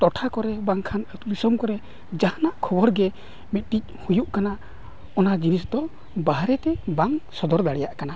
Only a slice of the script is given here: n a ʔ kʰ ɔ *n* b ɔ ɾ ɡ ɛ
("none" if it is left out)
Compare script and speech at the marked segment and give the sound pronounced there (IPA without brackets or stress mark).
none